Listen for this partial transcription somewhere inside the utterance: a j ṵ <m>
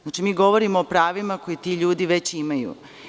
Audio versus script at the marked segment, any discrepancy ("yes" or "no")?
yes